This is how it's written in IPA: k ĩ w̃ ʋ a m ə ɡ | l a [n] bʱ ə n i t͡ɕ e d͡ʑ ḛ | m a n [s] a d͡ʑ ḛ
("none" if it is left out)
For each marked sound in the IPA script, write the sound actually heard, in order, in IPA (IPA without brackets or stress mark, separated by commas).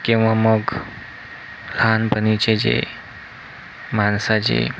n, s